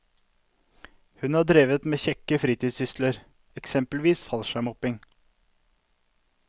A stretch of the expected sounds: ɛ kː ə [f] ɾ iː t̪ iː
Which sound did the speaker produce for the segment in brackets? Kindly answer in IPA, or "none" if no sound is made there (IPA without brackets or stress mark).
f